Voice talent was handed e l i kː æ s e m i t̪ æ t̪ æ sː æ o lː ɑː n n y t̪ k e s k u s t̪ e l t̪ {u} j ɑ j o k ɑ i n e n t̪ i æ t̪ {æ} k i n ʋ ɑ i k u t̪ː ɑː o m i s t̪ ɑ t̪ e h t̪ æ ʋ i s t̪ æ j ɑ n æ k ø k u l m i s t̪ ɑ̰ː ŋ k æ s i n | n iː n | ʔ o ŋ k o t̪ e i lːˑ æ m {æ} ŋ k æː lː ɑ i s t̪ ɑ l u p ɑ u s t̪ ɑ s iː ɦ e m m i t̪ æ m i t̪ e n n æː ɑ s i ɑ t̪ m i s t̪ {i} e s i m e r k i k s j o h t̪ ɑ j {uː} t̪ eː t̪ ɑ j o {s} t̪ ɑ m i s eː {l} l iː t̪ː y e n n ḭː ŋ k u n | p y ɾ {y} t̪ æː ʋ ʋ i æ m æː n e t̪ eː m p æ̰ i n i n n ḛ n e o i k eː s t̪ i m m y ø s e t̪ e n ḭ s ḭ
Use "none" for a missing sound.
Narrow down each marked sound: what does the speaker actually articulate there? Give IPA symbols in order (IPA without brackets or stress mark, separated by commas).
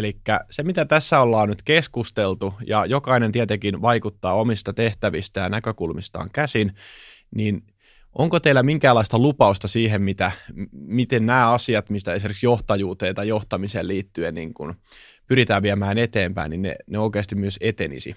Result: u, e, i, æ, uː, h, l, i